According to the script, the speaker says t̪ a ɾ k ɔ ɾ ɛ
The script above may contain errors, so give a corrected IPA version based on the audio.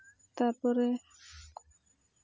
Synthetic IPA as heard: t̪ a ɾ p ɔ ɾ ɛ